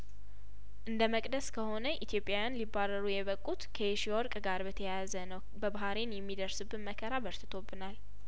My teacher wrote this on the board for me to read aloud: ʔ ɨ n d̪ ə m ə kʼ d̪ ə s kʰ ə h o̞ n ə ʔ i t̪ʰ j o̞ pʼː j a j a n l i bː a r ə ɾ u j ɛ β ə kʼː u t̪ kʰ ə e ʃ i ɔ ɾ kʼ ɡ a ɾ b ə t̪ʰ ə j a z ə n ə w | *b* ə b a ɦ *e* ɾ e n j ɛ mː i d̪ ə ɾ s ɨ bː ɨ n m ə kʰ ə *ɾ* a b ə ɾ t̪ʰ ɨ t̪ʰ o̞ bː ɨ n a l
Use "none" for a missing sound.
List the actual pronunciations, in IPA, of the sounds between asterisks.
b, a, ɾ

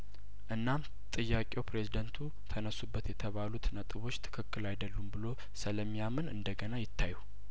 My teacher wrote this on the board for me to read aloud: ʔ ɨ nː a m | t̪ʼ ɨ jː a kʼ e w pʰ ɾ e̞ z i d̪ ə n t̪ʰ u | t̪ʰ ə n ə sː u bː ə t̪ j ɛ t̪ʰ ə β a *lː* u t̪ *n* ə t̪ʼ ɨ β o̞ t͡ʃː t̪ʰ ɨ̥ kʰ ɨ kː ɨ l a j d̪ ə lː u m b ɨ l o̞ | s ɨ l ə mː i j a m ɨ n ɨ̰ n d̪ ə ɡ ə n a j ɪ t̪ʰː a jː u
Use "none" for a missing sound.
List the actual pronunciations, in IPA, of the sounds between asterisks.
l, n

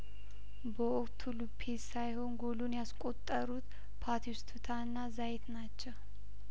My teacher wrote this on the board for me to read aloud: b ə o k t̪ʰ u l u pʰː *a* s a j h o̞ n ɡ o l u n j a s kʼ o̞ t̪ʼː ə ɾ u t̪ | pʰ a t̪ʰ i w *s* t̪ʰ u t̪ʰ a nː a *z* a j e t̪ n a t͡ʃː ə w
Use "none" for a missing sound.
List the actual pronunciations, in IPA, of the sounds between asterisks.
e, s, z

